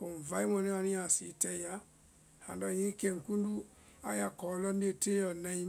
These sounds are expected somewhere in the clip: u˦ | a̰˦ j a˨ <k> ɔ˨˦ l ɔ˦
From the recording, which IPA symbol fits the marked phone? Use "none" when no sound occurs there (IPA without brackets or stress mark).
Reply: k